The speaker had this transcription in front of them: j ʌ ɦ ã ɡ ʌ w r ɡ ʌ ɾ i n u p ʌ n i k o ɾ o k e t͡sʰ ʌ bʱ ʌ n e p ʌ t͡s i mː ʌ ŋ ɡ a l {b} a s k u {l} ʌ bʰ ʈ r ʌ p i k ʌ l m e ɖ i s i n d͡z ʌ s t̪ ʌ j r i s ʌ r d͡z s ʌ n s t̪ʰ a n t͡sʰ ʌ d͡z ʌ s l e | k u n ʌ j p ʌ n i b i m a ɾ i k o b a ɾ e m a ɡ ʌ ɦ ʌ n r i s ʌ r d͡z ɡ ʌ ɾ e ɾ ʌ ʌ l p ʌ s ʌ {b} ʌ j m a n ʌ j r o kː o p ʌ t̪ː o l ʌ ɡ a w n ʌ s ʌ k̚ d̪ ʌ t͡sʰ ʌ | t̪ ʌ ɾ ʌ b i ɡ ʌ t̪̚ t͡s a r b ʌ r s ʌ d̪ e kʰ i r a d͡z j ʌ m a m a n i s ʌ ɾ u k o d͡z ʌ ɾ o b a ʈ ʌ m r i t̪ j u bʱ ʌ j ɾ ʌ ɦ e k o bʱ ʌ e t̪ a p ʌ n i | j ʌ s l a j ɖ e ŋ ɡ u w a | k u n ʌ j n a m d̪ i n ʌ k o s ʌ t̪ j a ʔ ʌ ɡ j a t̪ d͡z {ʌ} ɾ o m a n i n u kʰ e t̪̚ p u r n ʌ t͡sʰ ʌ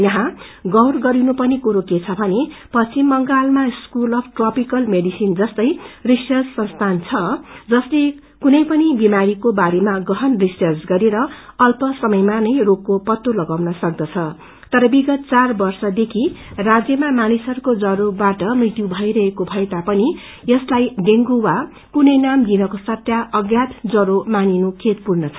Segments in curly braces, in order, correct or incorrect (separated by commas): incorrect, correct, incorrect, correct